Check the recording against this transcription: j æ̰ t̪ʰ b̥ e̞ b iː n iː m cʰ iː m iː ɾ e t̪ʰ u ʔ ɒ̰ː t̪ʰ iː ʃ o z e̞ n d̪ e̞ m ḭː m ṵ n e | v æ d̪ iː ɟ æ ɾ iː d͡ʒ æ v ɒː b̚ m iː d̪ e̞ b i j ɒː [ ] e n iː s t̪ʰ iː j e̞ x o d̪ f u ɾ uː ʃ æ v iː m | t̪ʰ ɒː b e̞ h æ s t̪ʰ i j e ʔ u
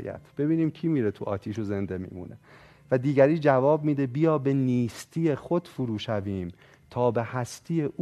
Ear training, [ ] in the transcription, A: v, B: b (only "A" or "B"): B